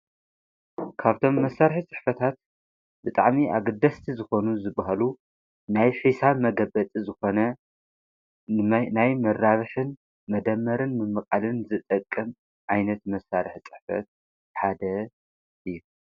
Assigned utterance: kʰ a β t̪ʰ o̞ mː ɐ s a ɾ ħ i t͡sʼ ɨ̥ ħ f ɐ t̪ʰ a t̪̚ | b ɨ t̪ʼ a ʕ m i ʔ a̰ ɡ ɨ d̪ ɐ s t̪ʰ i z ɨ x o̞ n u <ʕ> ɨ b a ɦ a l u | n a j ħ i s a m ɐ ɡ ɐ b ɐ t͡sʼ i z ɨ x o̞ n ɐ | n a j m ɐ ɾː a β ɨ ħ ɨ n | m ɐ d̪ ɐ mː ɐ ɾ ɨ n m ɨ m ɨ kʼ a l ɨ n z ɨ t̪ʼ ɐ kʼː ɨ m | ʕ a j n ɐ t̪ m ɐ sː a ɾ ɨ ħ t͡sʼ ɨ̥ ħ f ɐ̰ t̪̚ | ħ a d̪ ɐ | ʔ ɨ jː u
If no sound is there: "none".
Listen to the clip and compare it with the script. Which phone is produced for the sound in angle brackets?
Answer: z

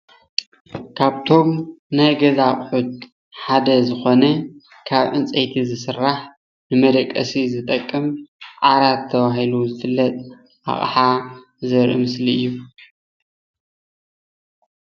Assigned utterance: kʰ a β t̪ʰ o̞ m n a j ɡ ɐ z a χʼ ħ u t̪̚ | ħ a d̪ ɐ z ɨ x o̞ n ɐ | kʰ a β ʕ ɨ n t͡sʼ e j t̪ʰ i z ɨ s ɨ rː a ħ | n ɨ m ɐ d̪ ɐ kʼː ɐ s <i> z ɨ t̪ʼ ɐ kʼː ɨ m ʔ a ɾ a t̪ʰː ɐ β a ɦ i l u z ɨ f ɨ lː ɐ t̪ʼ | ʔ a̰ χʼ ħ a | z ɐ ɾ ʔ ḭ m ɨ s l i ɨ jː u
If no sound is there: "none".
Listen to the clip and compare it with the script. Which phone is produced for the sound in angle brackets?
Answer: i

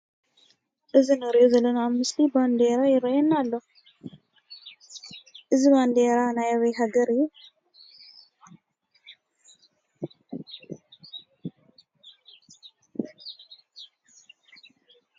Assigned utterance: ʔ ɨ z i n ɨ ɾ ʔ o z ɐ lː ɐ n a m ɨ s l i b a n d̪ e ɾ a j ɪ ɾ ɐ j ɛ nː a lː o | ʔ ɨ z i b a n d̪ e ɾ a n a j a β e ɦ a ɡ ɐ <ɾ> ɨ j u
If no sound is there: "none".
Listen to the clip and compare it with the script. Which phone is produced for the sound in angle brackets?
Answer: ɾ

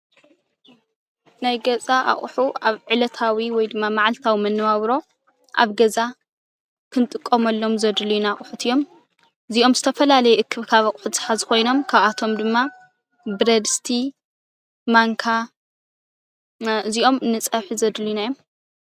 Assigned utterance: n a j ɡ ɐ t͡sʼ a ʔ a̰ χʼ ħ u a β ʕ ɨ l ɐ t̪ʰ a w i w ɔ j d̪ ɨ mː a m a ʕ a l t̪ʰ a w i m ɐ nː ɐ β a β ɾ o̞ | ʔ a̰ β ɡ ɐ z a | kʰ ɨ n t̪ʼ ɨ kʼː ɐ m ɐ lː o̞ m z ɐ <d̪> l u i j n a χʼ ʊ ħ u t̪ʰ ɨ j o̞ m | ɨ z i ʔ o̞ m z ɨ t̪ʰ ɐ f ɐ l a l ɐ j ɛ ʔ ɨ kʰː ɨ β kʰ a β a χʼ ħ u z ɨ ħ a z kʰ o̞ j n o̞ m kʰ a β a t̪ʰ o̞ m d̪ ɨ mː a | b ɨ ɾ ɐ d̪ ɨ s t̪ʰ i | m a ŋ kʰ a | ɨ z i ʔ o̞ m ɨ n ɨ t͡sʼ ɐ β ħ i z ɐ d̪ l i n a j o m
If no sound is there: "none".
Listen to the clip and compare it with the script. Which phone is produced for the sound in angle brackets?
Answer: d̪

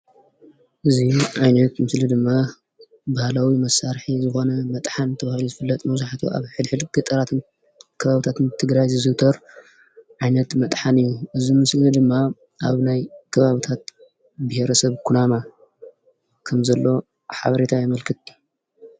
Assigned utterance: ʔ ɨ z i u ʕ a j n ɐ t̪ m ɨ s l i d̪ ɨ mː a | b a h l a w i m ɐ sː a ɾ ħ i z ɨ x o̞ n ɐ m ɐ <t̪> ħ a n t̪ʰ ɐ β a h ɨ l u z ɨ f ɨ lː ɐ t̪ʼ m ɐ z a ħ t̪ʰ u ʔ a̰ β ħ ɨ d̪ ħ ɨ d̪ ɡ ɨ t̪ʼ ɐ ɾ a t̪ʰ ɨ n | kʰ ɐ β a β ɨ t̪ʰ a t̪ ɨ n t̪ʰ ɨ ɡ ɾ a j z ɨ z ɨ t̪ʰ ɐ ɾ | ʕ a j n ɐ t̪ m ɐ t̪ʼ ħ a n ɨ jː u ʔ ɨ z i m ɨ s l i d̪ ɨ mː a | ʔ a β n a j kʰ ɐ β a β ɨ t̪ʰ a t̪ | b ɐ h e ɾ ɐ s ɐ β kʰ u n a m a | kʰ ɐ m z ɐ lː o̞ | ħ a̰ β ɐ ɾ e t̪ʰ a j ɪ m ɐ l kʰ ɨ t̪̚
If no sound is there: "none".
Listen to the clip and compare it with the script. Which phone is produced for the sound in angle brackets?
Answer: t̪ʼ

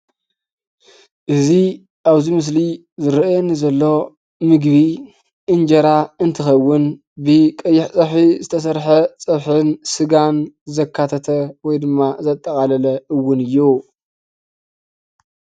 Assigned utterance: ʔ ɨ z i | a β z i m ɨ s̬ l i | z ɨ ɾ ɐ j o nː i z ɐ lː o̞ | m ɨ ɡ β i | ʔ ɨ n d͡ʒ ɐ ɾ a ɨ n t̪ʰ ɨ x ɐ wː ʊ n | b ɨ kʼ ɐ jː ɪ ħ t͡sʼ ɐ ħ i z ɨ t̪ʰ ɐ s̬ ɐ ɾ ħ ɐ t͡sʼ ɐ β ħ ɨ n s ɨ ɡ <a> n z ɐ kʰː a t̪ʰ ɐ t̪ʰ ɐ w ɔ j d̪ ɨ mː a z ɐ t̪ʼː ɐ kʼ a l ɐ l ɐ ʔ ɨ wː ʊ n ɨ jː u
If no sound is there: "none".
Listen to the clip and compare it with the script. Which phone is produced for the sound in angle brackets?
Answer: a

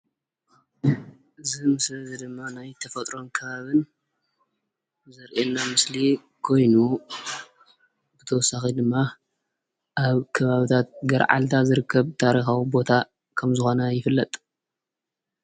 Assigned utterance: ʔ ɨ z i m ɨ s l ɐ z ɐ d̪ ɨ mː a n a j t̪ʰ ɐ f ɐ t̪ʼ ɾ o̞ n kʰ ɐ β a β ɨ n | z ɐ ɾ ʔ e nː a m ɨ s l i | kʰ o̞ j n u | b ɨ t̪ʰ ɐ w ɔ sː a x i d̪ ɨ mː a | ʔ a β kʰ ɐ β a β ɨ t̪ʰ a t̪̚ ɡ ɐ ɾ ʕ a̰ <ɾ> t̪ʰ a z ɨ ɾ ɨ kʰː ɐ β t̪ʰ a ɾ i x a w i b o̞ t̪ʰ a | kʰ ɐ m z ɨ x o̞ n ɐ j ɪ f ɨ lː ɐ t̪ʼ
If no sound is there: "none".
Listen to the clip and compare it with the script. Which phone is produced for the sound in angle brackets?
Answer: l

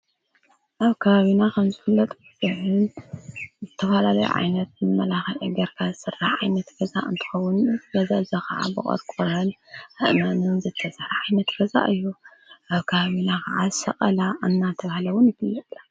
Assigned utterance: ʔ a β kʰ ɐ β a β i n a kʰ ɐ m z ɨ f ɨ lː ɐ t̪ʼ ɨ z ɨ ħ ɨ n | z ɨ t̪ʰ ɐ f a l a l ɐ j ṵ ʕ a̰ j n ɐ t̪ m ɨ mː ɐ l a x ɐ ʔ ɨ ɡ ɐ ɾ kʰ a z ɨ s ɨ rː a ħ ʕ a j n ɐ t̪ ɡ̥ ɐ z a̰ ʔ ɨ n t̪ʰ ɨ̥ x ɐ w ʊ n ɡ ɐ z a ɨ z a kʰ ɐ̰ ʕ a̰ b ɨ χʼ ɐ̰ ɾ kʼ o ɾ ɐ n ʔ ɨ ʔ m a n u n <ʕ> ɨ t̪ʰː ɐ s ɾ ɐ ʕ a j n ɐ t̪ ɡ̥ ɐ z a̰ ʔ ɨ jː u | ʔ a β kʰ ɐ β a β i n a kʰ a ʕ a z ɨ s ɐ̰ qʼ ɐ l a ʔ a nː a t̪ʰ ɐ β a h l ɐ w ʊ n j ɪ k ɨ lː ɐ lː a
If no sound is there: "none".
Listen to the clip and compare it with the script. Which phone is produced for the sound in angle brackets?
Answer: z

